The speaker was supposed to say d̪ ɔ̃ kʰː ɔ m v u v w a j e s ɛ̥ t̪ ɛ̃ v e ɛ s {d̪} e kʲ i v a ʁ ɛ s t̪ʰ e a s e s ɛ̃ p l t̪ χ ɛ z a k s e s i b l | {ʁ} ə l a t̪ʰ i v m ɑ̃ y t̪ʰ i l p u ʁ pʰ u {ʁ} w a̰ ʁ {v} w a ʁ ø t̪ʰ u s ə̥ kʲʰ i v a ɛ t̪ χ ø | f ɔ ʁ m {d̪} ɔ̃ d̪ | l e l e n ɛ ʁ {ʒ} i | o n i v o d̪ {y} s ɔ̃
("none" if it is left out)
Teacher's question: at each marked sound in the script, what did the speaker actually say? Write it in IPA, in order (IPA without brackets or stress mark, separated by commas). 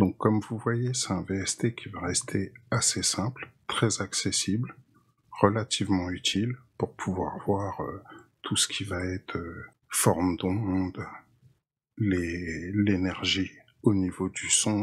t̪, ʁ, v, v, d̪, ʒ, y